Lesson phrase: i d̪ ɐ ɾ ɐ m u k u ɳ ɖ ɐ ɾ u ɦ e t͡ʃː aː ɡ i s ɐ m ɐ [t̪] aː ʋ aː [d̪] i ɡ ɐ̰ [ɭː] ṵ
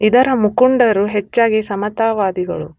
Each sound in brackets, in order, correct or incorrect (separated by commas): correct, correct, incorrect